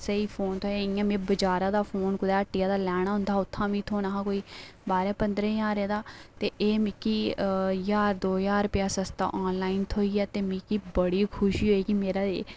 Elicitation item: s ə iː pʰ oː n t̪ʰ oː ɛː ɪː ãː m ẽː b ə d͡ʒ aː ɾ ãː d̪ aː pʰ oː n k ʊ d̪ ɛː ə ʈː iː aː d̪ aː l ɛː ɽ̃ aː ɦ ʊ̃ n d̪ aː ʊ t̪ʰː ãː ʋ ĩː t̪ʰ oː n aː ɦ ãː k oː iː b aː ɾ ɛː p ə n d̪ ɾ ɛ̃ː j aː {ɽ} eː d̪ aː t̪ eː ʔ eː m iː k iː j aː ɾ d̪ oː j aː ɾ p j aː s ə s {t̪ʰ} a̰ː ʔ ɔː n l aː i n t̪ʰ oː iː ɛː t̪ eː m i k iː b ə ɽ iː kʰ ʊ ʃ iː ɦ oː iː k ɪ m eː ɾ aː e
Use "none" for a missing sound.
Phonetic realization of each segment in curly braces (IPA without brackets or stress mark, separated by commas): ɾ, t̪